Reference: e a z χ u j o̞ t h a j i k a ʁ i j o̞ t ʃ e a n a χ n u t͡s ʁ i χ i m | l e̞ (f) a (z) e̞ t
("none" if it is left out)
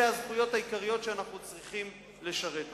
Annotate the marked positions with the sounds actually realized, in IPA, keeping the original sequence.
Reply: ʃ, ʁ

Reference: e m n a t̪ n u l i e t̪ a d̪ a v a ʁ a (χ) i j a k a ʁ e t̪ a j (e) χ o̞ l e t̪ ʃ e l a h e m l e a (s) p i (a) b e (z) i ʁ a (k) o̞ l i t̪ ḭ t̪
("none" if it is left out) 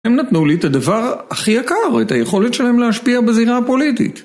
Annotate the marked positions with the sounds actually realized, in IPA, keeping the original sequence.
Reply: χ, e, ʃ, a, z, p

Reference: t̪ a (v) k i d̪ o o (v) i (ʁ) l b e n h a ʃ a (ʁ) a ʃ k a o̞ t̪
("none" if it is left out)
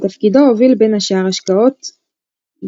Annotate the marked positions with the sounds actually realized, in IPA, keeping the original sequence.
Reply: f, v, none, ʁ

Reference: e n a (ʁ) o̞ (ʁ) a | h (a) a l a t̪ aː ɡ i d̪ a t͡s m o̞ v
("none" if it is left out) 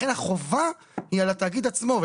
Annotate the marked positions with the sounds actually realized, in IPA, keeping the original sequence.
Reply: χ, v, i

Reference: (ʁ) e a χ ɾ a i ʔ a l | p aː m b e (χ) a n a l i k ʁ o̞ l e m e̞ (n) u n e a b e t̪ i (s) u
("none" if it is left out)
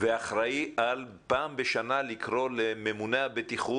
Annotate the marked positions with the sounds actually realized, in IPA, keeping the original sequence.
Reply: v, ʃ, m, χ

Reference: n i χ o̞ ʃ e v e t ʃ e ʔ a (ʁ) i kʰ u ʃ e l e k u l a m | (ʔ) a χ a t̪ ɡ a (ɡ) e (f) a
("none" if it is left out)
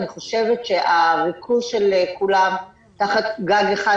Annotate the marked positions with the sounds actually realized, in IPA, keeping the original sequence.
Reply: ʁ, t, ɡ, χ

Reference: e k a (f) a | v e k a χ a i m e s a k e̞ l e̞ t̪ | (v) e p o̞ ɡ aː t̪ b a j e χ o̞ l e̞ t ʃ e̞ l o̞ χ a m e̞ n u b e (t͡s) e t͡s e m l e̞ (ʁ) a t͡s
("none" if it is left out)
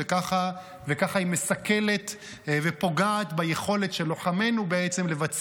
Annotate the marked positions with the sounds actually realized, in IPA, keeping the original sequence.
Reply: χ, v, none, v

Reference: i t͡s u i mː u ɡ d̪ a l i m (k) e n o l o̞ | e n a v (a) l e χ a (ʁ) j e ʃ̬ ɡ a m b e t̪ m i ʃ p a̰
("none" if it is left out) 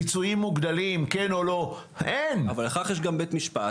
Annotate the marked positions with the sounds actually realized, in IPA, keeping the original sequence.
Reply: k, a, χ

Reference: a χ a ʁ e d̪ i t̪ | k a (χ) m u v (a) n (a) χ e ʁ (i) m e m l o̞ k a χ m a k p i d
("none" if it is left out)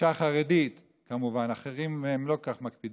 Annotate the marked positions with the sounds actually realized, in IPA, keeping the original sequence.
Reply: none, a, a, i

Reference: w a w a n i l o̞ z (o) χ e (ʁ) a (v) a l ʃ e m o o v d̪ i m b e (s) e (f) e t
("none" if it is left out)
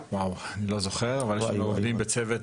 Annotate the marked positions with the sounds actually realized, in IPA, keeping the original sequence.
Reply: o, ʁ, v, t͡s, v

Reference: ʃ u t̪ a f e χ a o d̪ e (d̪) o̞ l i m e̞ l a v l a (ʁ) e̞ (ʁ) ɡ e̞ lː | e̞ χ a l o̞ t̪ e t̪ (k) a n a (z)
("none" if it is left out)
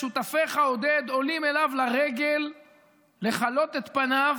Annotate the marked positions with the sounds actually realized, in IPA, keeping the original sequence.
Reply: d̪, ʁ, none, p, v

